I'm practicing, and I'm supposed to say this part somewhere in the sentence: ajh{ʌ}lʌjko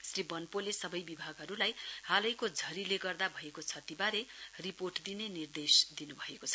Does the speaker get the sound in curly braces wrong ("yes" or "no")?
yes